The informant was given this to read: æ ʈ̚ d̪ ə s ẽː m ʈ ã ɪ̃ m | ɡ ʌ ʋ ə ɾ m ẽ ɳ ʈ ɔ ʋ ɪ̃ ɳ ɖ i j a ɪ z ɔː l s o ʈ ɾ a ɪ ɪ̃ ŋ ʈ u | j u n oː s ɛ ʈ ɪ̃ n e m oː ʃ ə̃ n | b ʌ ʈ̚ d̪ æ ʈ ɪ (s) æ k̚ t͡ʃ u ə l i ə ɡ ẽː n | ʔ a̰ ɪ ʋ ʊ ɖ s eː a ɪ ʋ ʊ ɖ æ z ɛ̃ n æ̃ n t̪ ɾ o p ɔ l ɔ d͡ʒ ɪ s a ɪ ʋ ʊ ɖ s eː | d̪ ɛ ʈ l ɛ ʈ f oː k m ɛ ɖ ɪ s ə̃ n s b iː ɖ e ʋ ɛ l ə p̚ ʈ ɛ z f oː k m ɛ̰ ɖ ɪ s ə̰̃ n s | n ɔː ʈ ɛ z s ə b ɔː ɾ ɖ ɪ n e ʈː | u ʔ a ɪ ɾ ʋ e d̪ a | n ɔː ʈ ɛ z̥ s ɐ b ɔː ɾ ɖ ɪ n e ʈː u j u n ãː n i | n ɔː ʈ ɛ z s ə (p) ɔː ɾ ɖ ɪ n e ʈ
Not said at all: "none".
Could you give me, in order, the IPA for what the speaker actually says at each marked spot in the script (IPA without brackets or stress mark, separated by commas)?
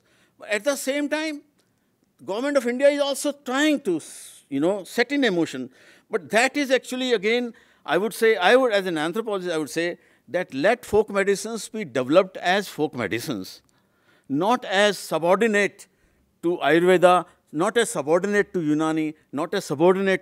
z, b